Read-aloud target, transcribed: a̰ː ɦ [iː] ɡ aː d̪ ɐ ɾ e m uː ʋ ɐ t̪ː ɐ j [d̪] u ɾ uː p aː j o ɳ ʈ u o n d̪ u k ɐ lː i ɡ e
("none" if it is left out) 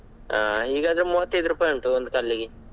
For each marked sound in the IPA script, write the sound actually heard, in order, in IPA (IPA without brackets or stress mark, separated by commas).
iː, d̪